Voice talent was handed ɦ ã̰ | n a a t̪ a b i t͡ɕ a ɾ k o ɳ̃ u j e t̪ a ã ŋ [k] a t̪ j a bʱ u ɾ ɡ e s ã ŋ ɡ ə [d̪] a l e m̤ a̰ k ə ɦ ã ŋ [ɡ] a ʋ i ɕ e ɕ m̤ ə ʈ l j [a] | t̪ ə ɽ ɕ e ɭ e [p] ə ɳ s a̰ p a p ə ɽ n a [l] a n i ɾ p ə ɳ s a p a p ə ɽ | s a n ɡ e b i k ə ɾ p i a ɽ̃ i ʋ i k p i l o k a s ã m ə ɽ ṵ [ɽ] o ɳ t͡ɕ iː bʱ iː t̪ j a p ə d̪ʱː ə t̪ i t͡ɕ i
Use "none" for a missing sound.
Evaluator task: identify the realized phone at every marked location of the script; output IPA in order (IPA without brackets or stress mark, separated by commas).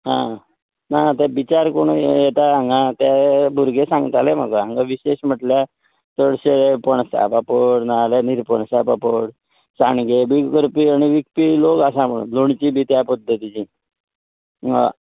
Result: ɡ, t̪, ɡ, a, p, l, l